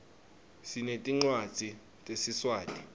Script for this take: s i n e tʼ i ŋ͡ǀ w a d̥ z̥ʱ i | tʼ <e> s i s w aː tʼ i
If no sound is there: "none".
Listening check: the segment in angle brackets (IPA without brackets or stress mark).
e